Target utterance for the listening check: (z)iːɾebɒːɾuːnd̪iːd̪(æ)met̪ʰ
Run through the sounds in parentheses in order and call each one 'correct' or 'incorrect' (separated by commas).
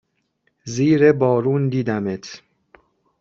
correct, correct